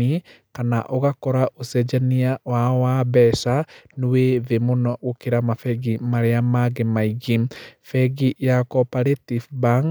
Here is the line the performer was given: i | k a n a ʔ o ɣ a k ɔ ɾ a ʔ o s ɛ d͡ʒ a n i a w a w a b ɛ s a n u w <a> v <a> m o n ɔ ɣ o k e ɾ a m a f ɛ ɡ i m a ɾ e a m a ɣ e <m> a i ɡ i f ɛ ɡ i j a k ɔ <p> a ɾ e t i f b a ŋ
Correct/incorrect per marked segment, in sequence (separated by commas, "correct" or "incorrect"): incorrect, incorrect, correct, correct